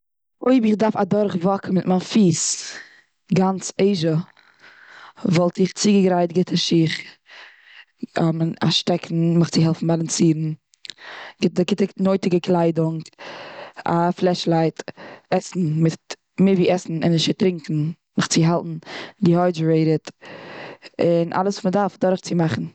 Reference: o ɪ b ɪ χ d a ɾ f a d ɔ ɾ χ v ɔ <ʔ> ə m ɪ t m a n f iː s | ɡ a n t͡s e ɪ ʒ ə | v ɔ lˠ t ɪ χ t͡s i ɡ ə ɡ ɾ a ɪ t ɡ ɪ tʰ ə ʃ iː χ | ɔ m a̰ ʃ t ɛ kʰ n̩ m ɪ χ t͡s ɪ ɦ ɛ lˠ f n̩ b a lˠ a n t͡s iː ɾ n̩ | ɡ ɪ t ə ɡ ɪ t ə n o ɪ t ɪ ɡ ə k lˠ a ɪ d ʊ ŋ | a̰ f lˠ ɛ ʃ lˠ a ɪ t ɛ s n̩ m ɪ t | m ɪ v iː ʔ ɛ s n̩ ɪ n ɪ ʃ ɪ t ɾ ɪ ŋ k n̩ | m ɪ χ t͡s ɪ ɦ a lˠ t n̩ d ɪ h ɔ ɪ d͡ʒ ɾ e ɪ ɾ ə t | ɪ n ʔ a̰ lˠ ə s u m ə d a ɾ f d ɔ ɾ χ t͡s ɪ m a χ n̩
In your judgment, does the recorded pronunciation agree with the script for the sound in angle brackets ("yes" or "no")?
no